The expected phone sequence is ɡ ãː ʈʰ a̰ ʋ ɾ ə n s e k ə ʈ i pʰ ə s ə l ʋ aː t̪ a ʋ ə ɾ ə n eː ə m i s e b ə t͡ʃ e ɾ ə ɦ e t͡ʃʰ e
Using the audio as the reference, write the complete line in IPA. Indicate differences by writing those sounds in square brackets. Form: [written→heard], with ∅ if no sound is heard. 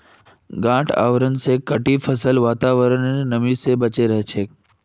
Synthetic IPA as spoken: ɡ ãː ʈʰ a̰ ʋ ɾ ə n s e k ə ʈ i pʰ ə s ə l ʋ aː t̪ a ʋ ə ɾ ə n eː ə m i s e b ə t͡ʃ e ɾ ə ɦ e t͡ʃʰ e